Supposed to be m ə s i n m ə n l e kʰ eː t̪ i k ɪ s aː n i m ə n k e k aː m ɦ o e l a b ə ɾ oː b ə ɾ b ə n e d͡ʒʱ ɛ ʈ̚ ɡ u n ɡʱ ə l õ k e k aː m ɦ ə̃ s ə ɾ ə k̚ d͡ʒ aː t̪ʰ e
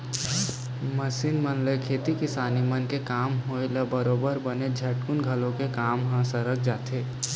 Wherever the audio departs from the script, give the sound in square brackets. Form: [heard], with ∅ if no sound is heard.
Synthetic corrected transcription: m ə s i n m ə n l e kʰ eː t̪ i k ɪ s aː n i m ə n k e k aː m ɦ o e l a b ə ɾ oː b ə ɾ b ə n e d͡ʒʱ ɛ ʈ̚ [k] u n ɡʱ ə l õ k e k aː m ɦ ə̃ s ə ɾ ə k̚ d͡ʒ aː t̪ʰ e